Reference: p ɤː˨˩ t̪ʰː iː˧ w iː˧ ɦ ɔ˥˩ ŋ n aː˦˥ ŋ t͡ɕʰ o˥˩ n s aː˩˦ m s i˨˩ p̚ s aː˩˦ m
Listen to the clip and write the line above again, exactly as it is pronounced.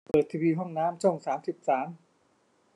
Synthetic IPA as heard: p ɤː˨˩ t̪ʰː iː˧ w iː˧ ɦ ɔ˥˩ ŋ n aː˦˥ m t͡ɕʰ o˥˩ ŋ s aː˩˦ m s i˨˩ p̚ s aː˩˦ m